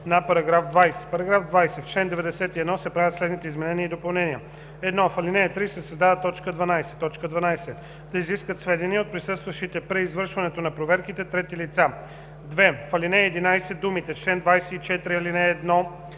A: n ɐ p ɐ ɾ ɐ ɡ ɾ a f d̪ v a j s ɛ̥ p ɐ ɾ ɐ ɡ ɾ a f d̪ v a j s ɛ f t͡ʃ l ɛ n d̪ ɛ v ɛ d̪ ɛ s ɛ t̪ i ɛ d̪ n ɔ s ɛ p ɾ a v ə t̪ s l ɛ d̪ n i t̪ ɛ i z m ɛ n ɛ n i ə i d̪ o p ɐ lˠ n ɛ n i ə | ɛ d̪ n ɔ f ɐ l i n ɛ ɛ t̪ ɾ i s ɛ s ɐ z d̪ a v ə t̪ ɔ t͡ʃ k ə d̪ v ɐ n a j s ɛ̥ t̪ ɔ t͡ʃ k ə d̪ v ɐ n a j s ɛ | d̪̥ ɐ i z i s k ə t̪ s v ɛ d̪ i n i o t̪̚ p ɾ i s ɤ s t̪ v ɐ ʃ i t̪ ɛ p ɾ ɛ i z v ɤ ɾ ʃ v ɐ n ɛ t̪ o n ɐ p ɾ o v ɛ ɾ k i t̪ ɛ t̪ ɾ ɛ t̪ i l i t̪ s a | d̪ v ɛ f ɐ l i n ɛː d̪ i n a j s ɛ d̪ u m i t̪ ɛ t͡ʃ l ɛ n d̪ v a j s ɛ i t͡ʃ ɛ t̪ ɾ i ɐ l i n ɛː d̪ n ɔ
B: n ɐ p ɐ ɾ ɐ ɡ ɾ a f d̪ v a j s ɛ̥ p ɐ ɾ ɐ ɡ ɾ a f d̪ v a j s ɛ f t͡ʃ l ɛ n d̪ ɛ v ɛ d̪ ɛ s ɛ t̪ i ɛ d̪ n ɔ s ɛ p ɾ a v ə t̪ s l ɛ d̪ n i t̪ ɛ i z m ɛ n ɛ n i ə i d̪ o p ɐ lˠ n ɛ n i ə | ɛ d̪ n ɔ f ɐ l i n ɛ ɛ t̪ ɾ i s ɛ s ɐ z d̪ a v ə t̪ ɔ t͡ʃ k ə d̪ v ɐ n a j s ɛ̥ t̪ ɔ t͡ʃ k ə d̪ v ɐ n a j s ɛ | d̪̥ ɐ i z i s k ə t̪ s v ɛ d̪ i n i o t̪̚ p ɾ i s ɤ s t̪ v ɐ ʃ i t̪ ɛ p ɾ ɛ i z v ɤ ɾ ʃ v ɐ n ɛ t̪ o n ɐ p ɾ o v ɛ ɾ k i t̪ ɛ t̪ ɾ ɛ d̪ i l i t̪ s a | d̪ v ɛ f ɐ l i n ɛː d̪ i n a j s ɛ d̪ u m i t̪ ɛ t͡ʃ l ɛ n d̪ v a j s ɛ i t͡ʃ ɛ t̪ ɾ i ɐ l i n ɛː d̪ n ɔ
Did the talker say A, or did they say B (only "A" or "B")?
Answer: A